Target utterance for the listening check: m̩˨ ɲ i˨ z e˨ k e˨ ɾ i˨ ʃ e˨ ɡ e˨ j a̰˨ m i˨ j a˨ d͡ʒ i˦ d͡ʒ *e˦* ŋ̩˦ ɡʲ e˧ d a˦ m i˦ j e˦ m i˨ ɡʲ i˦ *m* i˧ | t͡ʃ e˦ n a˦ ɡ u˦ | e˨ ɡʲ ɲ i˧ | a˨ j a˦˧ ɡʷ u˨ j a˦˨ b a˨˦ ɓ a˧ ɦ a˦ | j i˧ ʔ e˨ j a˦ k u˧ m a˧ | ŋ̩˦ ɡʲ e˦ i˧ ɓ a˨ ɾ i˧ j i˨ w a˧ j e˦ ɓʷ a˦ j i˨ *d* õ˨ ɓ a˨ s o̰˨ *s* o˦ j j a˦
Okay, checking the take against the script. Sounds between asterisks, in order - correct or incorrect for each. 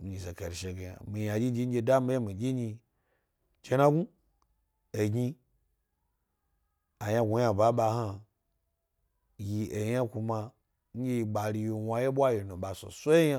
incorrect, incorrect, incorrect, correct

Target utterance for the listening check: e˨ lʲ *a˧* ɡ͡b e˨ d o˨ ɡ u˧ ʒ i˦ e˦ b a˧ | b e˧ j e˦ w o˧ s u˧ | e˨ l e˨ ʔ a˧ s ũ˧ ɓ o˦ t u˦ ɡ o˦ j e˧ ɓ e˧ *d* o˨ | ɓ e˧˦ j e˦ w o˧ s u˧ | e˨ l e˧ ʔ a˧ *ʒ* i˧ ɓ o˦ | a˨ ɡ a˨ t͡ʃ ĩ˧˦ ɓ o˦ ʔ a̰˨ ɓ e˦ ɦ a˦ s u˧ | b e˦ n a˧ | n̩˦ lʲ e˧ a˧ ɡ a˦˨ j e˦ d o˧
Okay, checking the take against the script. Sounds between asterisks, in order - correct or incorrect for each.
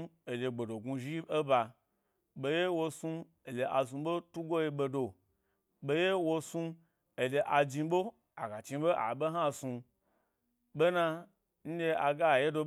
incorrect, correct, incorrect

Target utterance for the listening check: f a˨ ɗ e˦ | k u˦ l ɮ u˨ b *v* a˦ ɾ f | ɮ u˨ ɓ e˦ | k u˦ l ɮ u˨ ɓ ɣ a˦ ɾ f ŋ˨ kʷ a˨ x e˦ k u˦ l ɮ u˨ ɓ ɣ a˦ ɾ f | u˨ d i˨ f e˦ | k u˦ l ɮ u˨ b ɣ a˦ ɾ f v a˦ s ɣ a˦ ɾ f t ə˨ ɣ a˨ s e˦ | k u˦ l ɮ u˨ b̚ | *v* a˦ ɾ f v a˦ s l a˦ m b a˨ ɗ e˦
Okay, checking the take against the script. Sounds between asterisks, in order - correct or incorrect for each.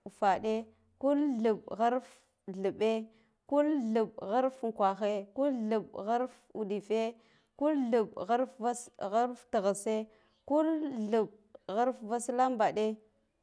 incorrect, incorrect

